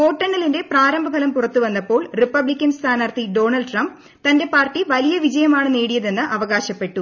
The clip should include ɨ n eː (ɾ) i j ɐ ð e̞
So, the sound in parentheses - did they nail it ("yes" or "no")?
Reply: no